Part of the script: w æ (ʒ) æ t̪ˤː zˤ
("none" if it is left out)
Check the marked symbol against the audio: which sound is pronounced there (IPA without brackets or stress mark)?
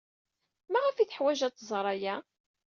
ʒ